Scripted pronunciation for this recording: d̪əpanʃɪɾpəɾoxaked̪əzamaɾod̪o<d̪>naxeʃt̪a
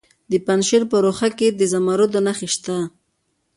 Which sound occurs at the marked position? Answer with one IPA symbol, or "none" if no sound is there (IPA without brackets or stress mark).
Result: none